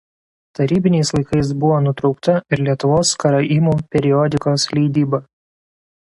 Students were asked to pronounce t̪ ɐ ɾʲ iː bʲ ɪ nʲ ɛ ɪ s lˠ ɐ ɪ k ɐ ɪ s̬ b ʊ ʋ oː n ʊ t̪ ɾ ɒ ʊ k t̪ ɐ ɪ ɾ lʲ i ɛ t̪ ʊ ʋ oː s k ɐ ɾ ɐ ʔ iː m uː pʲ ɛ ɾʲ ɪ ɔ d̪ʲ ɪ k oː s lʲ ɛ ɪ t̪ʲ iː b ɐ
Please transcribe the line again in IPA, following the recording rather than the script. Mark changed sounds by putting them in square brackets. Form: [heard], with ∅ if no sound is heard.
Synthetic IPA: t̪ ɐ ɾʲ iː bʲ ɪ nʲ ɛ ɪ s lˠ ɐ ɪ k ɐ ɪ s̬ b ʊ ʋ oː n ʊ t̪ ɾ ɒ ʊ k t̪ ɐ ɪ ɾ lʲ i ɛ t̪ ʊ ʋ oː s k ɐ ɾ ɐ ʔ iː m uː pʲ ɛ ɾʲ ɪ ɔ d̪ʲ ɪ k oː s lʲ ɛ ɪ [d̪ʲ] iː b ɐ